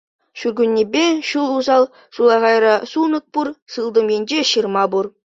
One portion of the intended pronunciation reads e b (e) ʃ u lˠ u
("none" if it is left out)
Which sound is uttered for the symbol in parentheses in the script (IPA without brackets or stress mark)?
e